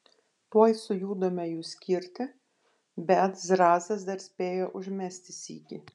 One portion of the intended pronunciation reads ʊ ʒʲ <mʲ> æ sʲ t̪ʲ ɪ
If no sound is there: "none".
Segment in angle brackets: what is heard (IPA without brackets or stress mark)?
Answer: mʲ